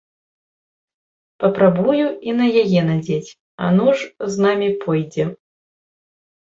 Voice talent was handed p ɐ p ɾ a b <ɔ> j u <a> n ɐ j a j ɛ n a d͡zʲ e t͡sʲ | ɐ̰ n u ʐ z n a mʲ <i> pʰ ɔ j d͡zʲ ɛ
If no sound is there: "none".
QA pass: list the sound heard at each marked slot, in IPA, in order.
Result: u, i, i

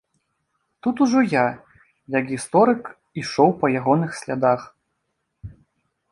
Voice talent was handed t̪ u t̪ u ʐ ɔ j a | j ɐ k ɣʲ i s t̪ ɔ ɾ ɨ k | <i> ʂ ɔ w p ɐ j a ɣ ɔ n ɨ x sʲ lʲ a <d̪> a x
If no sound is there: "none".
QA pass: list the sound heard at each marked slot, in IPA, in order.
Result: i, d̪

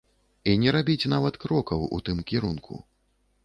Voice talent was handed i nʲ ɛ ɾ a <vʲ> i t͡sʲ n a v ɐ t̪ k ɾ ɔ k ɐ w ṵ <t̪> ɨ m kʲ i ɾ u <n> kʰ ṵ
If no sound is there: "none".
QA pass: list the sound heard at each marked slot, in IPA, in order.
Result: bʲ, t̪, n

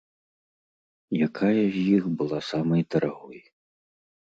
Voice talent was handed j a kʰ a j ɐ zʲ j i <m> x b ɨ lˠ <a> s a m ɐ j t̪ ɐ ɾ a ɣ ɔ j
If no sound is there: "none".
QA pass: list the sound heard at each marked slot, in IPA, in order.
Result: none, a

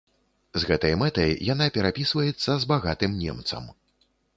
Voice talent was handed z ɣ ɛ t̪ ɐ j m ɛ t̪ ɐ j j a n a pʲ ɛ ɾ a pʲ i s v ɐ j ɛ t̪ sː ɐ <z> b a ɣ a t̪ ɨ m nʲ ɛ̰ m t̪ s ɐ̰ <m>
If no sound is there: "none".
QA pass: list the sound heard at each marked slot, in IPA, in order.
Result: z, m

